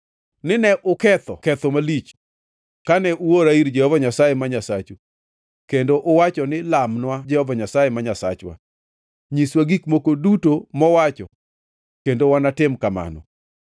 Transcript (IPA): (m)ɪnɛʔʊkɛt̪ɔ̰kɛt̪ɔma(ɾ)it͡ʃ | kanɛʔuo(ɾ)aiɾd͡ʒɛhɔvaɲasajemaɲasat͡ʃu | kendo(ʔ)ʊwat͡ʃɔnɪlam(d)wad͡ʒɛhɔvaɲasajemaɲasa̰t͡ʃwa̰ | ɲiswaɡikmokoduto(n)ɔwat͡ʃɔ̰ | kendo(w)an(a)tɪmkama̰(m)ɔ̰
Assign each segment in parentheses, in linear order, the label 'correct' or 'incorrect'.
incorrect: n, incorrect: l, correct, correct, incorrect: n, incorrect: m, correct, correct, incorrect: n

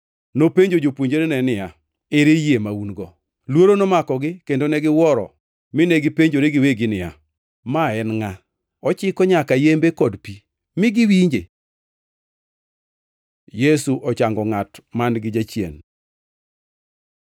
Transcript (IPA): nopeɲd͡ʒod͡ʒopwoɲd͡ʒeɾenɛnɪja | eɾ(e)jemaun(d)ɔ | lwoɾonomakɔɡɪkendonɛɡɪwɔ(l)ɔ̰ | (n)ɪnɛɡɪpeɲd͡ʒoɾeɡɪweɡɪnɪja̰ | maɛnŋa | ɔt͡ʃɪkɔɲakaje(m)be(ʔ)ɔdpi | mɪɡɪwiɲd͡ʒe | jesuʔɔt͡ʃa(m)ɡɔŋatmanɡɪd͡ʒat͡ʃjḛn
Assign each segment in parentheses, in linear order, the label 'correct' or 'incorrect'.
correct, incorrect: ɡ, incorrect: ɾ, incorrect: m, correct, incorrect: k, incorrect: ŋ

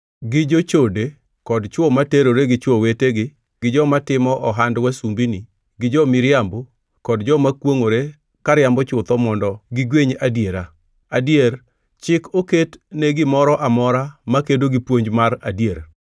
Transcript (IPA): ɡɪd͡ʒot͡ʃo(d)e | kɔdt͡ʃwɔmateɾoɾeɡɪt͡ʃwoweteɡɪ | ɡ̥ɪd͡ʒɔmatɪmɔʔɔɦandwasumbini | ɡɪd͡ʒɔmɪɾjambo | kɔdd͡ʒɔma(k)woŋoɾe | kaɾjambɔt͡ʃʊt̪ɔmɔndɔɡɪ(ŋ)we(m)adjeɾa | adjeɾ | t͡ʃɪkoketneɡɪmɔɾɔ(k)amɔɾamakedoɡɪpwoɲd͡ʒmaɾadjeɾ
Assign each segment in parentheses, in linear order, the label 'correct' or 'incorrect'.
correct, correct, incorrect: ɡ, incorrect: ɲ, incorrect: ʔ

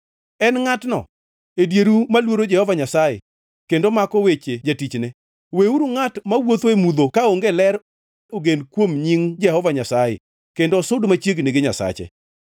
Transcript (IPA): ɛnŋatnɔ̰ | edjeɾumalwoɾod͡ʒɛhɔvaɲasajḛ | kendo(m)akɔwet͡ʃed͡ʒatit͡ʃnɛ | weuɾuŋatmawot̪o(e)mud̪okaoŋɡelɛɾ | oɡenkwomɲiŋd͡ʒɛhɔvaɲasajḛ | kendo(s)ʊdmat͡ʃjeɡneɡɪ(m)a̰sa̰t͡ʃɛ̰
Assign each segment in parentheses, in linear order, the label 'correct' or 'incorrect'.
correct, correct, correct, incorrect: ɲ

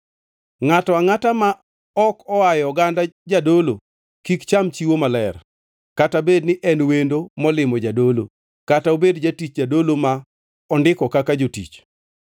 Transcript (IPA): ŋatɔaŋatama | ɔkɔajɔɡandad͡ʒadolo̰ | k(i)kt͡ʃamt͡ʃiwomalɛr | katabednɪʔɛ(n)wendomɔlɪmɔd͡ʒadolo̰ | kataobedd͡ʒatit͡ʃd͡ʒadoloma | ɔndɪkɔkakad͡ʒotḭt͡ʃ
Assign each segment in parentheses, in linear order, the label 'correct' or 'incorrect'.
correct, correct

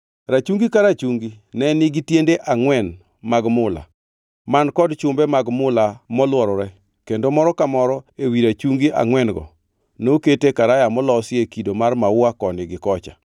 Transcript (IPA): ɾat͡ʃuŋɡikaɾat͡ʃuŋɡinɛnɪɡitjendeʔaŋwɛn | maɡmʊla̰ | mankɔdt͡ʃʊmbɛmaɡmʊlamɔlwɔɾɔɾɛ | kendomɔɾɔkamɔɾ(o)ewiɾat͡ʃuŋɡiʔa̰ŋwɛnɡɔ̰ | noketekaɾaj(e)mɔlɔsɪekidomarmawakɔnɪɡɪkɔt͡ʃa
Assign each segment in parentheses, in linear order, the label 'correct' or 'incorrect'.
incorrect: ɔ, incorrect: a

